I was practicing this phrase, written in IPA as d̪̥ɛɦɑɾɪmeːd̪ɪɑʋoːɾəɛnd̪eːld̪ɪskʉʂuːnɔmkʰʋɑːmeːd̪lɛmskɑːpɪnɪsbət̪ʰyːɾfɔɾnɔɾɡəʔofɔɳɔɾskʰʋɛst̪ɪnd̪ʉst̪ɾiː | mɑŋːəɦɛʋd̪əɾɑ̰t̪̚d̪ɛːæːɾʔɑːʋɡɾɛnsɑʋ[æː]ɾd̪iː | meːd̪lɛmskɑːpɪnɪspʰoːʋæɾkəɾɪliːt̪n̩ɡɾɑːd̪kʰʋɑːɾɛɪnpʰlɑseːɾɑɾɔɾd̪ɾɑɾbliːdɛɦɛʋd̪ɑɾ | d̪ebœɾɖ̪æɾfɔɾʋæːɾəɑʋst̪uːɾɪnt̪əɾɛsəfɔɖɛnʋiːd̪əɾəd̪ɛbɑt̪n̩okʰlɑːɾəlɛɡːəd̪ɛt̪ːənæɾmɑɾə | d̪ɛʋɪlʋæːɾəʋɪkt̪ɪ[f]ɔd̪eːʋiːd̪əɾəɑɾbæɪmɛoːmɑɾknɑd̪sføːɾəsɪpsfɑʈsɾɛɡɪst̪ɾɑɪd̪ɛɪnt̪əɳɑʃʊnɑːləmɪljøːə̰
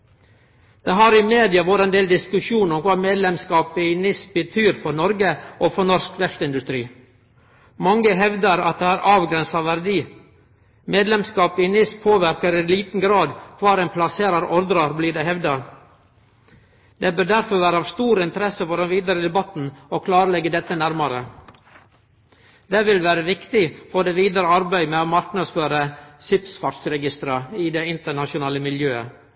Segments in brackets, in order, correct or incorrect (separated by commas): incorrect, correct